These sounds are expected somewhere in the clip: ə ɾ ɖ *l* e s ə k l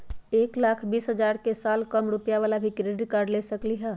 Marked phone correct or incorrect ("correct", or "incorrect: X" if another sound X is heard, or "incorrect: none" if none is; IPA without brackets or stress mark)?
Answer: correct